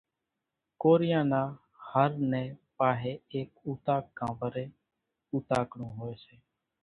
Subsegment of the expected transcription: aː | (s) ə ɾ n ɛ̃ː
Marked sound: incorrect: h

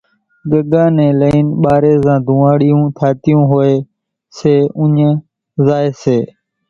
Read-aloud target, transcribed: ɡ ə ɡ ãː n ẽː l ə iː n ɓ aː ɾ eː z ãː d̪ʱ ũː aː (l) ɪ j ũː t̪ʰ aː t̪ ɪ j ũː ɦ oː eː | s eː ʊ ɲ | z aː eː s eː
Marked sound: incorrect: ɽ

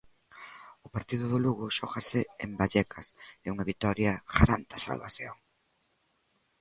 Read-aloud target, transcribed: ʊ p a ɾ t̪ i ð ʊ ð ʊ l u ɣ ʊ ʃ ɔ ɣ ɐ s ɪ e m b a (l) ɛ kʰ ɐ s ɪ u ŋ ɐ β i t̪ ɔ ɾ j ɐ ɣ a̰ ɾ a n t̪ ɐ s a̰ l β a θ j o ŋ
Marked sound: incorrect: ʎ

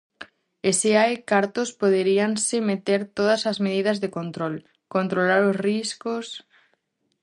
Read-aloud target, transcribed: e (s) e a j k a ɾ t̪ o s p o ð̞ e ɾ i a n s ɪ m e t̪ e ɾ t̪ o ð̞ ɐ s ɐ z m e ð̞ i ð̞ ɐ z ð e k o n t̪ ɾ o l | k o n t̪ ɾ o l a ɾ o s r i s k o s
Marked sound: correct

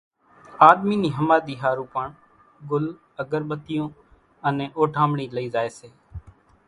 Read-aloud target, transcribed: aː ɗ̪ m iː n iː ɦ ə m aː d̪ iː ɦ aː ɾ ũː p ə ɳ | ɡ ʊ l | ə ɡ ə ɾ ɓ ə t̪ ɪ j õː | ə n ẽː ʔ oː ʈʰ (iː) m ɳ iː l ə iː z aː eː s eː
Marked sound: incorrect: aː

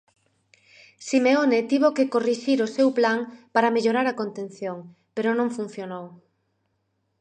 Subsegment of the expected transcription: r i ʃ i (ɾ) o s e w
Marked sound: correct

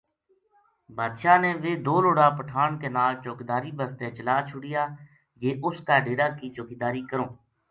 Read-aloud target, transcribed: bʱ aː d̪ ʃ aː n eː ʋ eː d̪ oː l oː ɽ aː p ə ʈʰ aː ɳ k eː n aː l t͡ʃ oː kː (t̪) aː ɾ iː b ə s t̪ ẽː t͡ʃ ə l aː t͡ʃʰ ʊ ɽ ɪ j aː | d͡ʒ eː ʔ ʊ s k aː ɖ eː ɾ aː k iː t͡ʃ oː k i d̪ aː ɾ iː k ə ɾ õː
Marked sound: incorrect: d̪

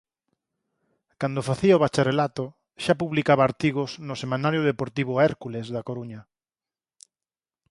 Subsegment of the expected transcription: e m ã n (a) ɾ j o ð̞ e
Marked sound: correct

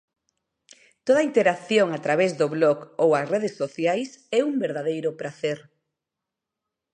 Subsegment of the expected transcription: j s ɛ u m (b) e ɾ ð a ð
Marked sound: correct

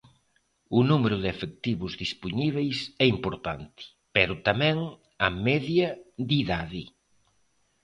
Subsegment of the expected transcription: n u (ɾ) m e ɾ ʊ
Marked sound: incorrect: none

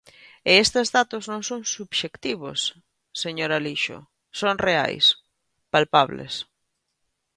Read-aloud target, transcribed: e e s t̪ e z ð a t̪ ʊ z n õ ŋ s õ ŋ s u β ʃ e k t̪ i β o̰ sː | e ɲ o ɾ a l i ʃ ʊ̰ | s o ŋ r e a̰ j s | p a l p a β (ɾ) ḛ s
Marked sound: incorrect: l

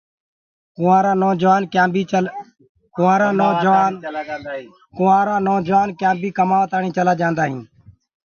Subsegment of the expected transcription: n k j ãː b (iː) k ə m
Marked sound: correct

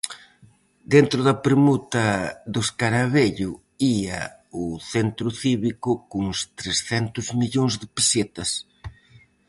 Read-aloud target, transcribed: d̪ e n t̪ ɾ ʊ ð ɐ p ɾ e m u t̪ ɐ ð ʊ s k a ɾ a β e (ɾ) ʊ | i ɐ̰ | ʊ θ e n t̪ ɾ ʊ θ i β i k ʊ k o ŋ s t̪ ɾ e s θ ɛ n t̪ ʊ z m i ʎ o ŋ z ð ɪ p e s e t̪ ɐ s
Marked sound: incorrect: ʎ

